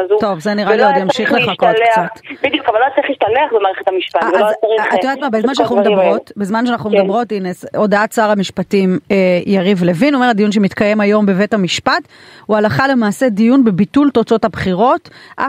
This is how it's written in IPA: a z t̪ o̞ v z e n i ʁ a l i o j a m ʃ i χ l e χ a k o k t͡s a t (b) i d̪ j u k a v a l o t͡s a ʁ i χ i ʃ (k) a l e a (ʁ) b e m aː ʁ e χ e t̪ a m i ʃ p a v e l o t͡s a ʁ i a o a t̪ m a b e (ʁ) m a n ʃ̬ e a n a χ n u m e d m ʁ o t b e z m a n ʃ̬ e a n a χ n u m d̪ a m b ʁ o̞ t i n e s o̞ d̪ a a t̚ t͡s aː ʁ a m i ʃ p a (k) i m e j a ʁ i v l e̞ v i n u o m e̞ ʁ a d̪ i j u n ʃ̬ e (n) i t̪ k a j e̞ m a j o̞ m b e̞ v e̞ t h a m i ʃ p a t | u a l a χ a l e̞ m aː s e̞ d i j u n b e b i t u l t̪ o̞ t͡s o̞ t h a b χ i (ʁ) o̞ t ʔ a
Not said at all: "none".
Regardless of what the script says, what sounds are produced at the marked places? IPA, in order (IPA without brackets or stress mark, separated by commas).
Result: b, t, χ, z, t, m, ʁ